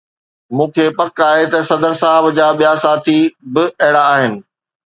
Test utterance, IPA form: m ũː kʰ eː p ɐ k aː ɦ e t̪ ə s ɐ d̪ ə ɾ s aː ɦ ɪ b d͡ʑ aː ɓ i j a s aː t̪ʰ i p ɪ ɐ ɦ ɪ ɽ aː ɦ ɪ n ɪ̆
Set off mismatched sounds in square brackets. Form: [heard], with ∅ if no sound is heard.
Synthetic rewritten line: m ũː kʰ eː p ɐ k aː ɦ e t̪ [ɐ] s ɐ d̪ ə ɾ s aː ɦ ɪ b d͡ʑ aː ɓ i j a s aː t̪ʰ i [b] ɪ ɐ ɦ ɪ ɽ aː ɦ ɪ n ɪ̆